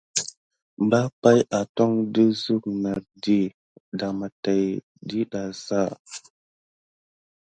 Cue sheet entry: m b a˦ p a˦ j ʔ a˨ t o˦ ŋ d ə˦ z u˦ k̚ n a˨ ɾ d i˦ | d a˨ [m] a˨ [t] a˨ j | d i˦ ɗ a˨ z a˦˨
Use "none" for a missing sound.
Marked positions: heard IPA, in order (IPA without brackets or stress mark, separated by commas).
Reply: m, t